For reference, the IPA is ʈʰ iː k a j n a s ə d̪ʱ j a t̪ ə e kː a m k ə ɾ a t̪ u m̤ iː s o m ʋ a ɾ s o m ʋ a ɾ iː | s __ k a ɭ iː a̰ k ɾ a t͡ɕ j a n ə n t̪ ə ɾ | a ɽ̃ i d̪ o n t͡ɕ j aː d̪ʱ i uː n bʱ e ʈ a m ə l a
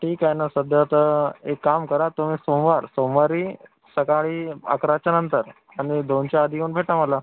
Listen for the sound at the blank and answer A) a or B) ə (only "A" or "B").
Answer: B